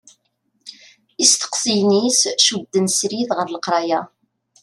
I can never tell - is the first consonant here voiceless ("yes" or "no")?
yes